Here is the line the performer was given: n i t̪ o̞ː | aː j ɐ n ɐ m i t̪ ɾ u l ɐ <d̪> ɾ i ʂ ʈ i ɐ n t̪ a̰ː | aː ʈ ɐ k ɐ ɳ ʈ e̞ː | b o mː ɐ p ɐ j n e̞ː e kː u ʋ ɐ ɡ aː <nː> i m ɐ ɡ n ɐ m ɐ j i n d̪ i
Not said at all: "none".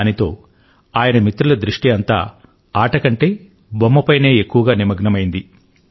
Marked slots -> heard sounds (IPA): d̪, n

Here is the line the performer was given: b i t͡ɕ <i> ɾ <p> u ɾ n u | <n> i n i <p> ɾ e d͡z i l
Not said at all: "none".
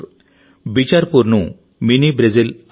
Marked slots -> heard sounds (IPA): a, p, m, b

